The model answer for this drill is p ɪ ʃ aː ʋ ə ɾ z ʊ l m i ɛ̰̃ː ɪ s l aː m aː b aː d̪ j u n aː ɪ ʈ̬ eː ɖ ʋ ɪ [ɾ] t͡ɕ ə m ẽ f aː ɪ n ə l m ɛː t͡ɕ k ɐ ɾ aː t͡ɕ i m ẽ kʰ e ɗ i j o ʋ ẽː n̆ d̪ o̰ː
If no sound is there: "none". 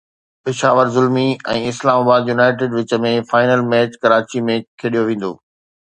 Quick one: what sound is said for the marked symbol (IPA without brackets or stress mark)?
none